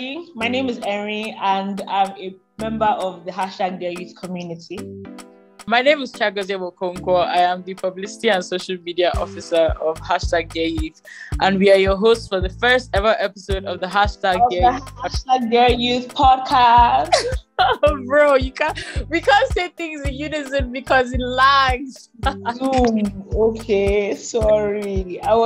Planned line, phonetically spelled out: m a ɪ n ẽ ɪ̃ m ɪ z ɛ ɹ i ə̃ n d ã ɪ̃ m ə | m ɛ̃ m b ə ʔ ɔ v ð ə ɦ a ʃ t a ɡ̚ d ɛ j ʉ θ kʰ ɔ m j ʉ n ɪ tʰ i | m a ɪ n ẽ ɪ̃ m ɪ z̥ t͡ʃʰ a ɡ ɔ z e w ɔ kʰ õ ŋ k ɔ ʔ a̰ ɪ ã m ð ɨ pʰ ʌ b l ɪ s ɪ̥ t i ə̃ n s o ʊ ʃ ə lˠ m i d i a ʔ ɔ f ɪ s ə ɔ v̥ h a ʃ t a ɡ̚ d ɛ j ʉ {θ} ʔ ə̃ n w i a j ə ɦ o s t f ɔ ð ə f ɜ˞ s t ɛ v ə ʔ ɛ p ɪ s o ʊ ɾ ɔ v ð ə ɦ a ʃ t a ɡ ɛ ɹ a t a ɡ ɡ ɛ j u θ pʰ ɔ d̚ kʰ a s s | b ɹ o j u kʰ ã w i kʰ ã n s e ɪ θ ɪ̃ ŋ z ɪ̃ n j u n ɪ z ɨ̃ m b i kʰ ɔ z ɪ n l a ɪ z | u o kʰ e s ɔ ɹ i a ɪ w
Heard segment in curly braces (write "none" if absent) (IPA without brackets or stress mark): θ